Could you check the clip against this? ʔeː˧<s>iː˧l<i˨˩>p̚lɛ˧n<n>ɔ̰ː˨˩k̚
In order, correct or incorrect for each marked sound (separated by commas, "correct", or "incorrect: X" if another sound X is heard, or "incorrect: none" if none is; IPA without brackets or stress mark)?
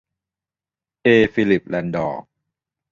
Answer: incorrect: f, correct, incorrect: d